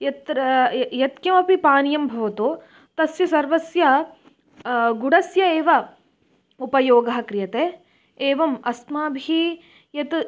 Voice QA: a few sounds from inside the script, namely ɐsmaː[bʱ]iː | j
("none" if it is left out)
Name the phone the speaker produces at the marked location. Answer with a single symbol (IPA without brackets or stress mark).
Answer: bʱ